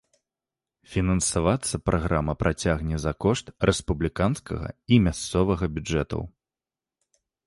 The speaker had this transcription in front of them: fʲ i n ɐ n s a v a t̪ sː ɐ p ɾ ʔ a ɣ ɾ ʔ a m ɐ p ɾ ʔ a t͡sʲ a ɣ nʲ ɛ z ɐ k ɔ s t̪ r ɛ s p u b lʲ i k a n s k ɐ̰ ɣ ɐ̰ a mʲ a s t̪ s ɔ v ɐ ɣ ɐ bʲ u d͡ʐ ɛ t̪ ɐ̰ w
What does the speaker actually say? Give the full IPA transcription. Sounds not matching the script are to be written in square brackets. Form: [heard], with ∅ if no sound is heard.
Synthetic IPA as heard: fʲ i n ɐ n s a v a t̪ sː ɐ p ɾ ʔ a ɣ ɾ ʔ a m ɐ p ɾ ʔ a t͡sʲ a ɣ nʲ ɛ z ɐ k ɔ [ʂ] t̪ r ɛ s p u b lʲ i k a n s k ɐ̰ ɣ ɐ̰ [i] mʲ a s t̪ s ɔ v ɐ ɣ ɐ bʲ u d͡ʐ ɛ t̪ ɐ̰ w